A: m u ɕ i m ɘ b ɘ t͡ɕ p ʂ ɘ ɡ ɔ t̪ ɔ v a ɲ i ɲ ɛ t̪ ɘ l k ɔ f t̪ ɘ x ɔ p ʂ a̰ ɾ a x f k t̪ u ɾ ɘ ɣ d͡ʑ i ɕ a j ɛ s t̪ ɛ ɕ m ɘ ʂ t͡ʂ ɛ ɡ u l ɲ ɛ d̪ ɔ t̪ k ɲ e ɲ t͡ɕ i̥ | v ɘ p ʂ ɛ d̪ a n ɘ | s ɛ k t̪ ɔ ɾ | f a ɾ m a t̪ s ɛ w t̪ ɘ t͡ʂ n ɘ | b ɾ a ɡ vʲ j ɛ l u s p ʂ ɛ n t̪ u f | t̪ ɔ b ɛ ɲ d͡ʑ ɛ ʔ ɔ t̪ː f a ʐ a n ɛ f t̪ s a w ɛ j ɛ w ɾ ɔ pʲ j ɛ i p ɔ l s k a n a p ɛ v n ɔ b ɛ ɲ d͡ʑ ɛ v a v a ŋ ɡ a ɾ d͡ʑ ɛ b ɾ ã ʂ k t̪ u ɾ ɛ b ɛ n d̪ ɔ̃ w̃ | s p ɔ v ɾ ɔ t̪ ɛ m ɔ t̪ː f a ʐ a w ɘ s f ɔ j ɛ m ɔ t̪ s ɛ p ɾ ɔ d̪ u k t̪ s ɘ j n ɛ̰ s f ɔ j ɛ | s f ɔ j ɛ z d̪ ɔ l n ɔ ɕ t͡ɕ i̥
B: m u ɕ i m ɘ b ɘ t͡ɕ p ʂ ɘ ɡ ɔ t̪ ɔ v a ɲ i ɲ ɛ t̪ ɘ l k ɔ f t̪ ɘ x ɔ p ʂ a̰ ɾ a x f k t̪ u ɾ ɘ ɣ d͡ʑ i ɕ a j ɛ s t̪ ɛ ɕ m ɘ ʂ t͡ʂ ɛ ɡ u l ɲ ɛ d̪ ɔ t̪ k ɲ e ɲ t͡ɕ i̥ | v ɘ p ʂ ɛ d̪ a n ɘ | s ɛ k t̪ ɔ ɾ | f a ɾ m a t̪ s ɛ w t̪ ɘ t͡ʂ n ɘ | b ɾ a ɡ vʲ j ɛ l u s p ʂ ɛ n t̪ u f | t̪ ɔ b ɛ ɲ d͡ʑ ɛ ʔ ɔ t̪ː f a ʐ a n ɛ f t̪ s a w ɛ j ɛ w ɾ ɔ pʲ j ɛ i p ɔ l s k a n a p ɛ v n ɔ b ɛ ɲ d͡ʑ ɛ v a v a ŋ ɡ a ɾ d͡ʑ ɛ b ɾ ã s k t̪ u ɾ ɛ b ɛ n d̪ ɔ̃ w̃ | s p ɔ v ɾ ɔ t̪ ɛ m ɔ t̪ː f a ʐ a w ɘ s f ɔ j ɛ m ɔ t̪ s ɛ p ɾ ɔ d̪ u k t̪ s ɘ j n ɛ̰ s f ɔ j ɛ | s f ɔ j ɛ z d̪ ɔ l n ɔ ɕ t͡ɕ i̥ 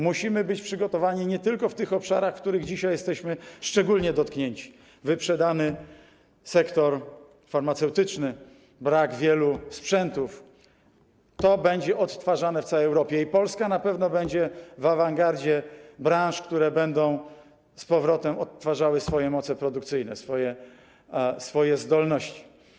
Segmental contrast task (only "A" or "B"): A